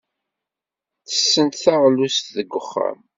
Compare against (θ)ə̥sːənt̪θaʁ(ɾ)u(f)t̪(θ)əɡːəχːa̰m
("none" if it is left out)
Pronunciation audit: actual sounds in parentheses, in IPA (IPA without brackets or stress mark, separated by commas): θ, l, s, ð